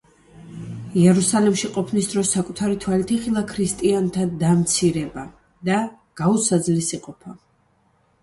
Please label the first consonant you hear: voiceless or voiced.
voiced